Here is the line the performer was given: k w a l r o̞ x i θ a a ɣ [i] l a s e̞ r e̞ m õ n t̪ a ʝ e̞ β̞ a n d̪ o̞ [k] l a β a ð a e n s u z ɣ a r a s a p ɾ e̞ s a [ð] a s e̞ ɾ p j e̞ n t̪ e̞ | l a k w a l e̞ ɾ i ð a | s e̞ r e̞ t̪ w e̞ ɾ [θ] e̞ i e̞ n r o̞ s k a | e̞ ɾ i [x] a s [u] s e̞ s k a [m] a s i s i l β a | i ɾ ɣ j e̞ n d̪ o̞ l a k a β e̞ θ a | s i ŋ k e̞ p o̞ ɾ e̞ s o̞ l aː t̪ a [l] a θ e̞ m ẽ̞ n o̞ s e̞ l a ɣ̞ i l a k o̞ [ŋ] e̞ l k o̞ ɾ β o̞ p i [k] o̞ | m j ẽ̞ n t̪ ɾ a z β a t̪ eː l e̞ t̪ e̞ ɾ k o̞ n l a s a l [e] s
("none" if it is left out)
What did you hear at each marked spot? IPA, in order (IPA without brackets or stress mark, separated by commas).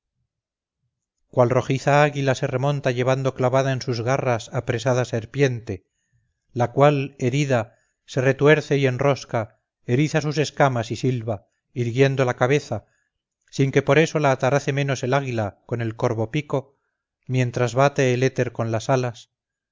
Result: i, k, ð, θ, θ, u, m, ɾ, n, k, a